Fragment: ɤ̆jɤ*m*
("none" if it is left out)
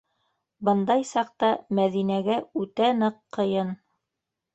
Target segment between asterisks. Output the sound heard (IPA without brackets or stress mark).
n